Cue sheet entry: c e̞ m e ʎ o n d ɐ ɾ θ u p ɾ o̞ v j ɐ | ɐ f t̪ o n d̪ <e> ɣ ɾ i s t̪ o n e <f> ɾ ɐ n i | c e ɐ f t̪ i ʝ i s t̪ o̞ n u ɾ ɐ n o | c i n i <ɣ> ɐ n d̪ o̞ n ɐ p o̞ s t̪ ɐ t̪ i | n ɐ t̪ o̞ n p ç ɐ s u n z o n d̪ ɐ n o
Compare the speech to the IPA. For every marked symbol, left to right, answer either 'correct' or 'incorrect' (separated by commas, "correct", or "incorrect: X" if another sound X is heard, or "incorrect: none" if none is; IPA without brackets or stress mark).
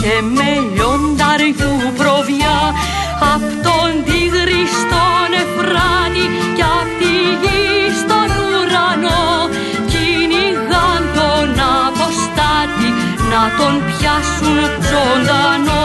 incorrect: i, correct, correct